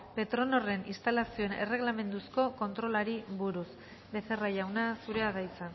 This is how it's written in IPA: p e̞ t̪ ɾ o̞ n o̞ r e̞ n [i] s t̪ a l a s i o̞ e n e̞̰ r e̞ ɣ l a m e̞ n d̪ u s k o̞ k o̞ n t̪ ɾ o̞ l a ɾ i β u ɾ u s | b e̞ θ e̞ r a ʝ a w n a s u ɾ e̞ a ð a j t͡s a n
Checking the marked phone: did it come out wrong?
no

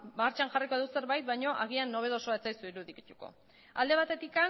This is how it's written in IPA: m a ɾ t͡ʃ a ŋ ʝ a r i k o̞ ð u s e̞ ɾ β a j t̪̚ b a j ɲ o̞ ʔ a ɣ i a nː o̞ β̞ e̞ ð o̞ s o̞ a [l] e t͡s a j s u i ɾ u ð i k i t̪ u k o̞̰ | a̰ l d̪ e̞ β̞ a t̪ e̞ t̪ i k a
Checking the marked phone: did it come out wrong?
yes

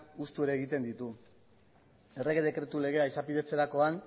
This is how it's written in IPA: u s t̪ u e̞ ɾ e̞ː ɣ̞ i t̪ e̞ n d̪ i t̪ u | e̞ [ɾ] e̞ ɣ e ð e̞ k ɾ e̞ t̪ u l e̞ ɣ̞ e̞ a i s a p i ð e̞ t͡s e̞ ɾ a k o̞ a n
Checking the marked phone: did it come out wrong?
yes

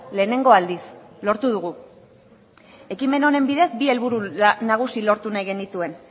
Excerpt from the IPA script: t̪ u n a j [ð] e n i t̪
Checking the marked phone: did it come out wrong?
yes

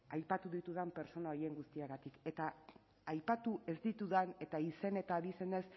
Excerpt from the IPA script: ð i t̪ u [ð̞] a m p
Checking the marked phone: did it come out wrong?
no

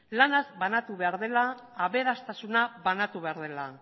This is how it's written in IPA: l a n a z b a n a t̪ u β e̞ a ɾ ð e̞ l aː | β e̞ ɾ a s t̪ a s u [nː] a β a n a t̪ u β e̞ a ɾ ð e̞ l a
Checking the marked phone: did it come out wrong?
yes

